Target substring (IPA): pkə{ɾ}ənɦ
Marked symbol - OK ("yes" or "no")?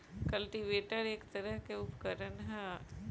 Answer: yes